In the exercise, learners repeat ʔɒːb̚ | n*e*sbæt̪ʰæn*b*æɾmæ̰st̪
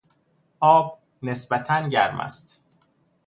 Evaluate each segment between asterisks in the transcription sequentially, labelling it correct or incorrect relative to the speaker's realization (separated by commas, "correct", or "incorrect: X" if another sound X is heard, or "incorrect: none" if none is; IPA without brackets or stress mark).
correct, incorrect: ɟ